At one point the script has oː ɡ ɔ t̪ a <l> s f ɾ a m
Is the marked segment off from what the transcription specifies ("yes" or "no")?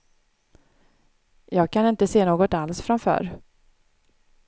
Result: no